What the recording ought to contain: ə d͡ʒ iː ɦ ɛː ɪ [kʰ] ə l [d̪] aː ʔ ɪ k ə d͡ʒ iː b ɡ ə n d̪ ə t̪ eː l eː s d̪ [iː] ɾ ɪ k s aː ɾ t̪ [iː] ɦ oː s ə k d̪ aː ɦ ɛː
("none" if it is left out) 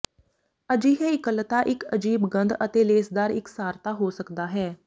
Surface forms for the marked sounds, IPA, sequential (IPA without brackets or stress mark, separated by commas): k, t̪, aː, aː